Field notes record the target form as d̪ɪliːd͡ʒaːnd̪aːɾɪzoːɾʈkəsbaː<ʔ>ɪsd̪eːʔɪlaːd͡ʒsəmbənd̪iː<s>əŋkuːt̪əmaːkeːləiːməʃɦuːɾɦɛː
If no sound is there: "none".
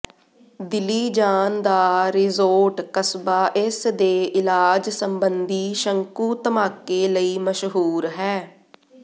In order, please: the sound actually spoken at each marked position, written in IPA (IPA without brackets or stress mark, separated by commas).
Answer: ʔ, ʃ